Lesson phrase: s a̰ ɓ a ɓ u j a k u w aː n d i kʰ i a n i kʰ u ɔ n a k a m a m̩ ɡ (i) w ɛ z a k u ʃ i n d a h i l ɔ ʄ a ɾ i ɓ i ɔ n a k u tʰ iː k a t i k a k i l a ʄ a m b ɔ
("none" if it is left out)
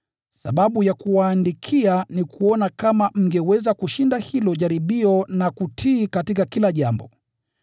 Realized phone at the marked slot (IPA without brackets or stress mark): ɛ